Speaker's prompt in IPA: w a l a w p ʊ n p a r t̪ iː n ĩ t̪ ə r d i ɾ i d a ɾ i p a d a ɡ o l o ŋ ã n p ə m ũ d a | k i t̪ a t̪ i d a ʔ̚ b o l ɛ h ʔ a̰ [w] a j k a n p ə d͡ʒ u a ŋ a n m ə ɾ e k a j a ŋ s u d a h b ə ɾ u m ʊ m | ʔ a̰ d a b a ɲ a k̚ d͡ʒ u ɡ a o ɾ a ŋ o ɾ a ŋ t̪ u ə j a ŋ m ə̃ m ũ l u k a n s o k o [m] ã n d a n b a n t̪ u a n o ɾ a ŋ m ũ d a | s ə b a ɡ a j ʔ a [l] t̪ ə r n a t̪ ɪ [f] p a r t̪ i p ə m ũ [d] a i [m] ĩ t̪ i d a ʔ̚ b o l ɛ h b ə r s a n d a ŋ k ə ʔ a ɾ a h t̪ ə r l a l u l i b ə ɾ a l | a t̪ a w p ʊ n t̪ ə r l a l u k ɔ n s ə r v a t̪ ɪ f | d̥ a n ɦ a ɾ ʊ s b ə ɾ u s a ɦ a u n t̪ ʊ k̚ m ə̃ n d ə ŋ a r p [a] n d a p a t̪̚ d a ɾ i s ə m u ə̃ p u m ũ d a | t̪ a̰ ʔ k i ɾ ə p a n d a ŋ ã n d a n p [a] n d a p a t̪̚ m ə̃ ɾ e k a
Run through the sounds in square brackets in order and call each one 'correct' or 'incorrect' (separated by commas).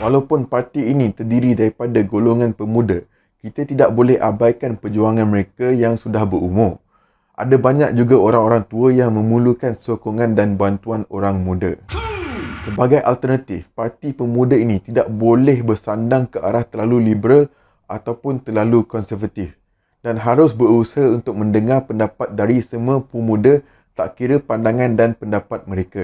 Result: incorrect, incorrect, correct, correct, correct, incorrect, incorrect, incorrect